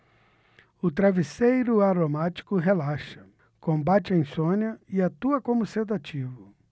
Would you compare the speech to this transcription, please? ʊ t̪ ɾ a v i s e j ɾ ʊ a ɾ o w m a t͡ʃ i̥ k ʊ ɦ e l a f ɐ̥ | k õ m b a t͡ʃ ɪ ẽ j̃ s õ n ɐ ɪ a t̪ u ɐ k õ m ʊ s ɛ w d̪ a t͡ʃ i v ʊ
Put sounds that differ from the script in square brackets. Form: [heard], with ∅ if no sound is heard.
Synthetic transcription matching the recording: ʊ t̪ ɾ a v i s e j ɾ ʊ a ɾ o [∅] m a t͡ʃ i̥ k ʊ ɦ e l a [ʃ] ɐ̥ | k õ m b a t͡ʃ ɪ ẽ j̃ s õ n ɐ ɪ a t̪ u ɐ k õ m ʊ s [e] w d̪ a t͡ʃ i v ʊ